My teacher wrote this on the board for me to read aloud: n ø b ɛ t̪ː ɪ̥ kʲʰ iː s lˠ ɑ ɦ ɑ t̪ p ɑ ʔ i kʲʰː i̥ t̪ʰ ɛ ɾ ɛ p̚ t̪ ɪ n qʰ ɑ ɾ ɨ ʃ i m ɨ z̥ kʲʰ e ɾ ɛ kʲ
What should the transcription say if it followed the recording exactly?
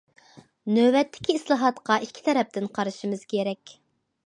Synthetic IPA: n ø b ɛ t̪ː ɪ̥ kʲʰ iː s lˠ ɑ ɦ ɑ t̪ q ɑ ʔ i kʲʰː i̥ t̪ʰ ɛ ɾ ɛ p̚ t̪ ɪ n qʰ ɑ ɾ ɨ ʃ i m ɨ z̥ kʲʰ e ɾ ɛ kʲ